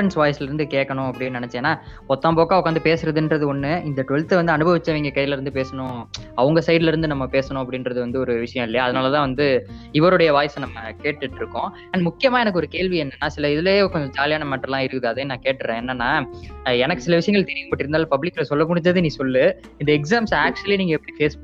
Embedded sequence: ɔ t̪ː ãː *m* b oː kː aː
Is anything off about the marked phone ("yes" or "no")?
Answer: no